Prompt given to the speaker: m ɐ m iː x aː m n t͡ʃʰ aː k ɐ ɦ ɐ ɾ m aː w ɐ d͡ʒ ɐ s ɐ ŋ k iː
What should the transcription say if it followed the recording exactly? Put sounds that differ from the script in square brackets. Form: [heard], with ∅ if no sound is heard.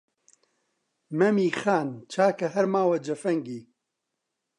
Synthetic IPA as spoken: m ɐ m iː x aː [∅] n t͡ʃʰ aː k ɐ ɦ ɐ ɾ m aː w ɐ d͡ʒ ɐ [f] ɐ ŋ [ɡ] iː